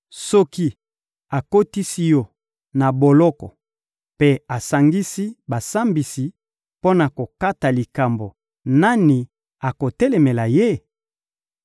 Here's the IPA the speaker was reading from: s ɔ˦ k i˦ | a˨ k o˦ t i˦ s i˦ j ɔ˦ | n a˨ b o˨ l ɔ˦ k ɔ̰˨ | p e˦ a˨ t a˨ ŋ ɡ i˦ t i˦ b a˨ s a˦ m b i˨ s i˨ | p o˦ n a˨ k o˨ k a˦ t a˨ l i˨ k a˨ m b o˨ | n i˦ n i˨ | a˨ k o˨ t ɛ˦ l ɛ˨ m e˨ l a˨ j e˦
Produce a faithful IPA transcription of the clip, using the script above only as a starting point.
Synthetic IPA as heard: s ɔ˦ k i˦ | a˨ k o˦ t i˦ s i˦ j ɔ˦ | n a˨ b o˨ l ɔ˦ k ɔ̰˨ | p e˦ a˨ s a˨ ŋ ɡ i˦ s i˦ b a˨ s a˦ m b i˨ s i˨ | p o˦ n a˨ k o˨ k a˦ t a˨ l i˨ k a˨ m b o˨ | n a˦ n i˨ | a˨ k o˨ t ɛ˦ l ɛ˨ m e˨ l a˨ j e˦